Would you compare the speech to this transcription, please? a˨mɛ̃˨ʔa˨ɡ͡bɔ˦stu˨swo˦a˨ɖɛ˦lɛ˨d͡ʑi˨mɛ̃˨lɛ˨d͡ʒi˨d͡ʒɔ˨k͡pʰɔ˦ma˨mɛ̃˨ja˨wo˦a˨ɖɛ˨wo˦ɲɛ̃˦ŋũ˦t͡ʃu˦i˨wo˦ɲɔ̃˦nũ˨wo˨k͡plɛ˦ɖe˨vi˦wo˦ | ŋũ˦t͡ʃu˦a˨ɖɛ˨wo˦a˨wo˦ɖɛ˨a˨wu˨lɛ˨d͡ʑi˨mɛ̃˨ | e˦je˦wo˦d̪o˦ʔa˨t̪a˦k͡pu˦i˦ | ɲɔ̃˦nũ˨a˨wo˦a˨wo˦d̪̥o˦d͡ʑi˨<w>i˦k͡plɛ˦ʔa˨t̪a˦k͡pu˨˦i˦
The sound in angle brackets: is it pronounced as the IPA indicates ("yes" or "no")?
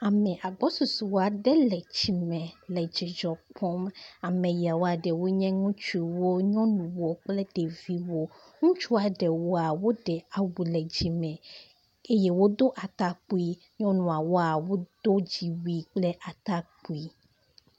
yes